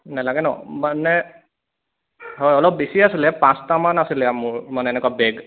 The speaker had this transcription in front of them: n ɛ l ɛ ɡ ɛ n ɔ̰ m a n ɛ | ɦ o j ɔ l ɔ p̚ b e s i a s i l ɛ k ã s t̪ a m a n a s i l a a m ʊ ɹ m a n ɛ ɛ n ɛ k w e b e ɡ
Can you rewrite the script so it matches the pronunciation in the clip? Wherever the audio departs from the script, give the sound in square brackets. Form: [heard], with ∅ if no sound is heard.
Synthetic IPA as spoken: n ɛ l [a] ɡ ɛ n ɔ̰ m a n ɛ | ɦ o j ɔ l ɔ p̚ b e s i a s i l ɛ [p] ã s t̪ a m a n a s i l [ɛ] a m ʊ ɹ m a n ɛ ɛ n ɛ k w [a] b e ɡ